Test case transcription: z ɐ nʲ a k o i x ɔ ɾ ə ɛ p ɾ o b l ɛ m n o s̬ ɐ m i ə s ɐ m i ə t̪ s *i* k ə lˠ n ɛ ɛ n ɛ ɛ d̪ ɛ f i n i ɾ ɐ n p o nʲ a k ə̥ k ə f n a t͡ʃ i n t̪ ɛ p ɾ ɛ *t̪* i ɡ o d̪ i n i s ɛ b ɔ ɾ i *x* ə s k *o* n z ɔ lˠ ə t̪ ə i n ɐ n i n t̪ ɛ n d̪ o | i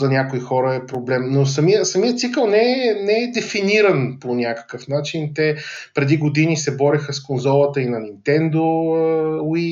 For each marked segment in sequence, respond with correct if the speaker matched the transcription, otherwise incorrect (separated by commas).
correct, incorrect, correct, correct